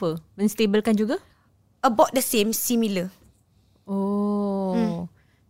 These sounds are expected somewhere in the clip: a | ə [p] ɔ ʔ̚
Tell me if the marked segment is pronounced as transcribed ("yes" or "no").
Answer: no